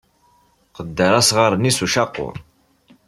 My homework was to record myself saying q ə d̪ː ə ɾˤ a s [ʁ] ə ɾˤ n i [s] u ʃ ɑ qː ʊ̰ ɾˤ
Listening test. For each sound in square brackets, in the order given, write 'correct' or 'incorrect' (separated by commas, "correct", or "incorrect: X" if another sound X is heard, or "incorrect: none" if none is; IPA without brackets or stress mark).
correct, correct